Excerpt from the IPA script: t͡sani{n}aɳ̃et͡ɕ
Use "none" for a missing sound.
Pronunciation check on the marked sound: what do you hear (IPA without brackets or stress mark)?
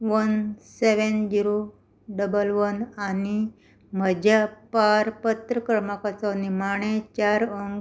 m